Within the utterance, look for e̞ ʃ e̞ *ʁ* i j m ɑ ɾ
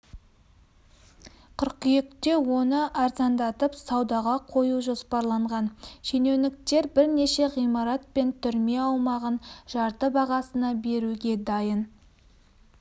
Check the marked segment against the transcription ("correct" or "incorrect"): correct